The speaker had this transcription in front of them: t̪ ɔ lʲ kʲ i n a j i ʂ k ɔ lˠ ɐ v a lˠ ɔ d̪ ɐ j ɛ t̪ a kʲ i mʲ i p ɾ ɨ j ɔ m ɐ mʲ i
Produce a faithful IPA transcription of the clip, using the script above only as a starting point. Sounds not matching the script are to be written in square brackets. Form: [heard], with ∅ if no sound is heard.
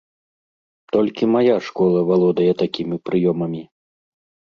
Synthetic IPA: t̪ ɔ lʲ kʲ i [m] a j [a] ʂ k ɔ lˠ ɐ v a lˠ ɔ d̪ ɐ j ɛ t̪ a kʲ i mʲ i p ɾ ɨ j ɔ m ɐ mʲ i